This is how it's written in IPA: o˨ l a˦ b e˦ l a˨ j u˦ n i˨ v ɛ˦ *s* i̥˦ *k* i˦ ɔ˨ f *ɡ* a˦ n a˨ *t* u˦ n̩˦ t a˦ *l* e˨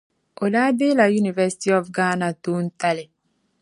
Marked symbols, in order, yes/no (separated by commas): yes, no, yes, yes, yes